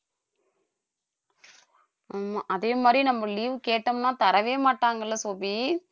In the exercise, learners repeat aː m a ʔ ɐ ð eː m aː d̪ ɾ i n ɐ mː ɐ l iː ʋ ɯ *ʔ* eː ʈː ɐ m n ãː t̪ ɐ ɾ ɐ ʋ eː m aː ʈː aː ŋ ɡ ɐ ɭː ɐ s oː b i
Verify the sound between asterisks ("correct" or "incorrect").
incorrect